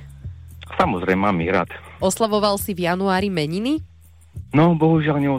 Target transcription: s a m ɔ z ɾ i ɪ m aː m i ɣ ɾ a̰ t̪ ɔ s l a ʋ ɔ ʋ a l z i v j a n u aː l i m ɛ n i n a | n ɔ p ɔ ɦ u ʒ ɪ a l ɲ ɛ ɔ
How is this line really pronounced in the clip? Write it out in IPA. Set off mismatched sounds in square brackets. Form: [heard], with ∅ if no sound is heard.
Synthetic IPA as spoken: s a m ɔ z ɾ [ɛ] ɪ m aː m i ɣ ɾ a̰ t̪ ɔ s l a ʋ ɔ ʋ a l [s] i v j a n u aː [ɾ] i m ɛ [ɲ] i n [i] | n ɔ [b] ɔ ɦ u ʒ ɪ a l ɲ ɛ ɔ